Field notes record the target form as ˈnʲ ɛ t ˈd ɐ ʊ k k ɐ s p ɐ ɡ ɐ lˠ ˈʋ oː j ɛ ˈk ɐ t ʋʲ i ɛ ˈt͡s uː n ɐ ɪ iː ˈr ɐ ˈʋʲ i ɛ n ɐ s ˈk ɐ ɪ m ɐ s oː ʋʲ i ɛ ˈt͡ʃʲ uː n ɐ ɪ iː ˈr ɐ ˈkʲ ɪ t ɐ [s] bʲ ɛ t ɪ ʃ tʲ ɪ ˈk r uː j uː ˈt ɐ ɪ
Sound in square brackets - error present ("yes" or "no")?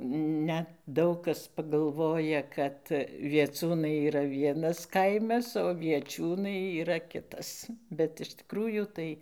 no